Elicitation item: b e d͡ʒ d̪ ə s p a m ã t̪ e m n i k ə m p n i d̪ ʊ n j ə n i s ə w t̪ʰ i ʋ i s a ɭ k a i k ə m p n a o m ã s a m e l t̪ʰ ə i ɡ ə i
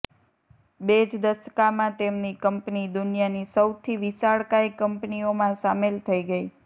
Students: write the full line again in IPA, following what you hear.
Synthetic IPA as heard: b e d͡ʒ d̪ ə s k a m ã t̪ e m n i k ə m p n i d̪ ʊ n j a n i s ə w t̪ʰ i ʋ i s a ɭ k a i k ə m p n i o m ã s a m e l t̪ʰ ə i ɡ ə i